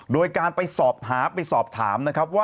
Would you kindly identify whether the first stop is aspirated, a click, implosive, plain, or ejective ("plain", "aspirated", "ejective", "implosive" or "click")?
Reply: plain